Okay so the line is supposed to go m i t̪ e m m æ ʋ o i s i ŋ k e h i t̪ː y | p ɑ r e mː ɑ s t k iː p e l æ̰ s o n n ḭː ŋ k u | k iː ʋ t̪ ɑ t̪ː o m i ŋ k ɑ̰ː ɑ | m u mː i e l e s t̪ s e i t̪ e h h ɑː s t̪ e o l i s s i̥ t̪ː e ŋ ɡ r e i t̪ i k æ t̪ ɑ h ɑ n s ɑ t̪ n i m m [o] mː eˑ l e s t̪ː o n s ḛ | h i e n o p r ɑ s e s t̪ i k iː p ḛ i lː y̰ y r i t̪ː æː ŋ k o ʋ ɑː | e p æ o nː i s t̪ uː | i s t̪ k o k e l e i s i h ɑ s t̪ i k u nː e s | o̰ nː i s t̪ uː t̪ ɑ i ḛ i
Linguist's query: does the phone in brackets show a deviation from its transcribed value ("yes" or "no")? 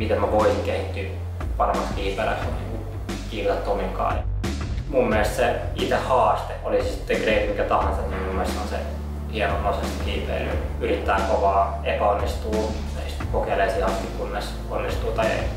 yes